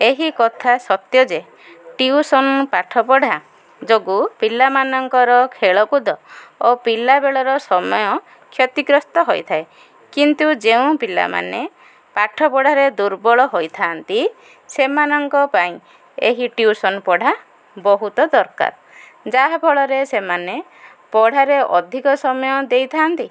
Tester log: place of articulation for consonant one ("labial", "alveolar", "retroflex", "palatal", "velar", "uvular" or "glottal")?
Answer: glottal